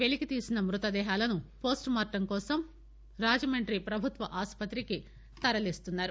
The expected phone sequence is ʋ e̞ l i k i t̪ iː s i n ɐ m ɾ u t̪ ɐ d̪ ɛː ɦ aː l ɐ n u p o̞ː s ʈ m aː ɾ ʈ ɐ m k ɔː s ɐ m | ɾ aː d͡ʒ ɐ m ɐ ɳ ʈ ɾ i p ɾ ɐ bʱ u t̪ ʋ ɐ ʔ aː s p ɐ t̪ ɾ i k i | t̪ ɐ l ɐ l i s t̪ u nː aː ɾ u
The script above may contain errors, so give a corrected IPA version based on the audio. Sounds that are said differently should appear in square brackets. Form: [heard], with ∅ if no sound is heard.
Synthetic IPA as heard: ʋ e̞ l i k i t̪ iː s i n ɐ m ɾ u t̪ ɐ d̪ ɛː ɦ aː l ɐ n u p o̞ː s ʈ m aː ɾ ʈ ɐ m k ɔː s ɐ m | ɾ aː d͡ʒ ɐ m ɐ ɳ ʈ ɾ i p ɾ ɐ bʱ u t̪ ʋ ɐ ʔ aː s p ɐ t̪ ɾ i k i | t̪ ɐ [ɾ] ɐ l i s t̪ u nː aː ɾ u